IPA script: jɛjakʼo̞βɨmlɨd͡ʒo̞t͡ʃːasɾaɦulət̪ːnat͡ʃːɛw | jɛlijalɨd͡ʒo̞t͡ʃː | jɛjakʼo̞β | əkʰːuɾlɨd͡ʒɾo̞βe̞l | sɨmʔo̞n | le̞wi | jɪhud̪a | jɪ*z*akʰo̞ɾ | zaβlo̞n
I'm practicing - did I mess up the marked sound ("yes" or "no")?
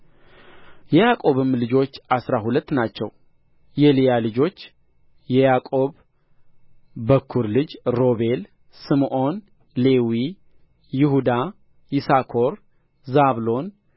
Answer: yes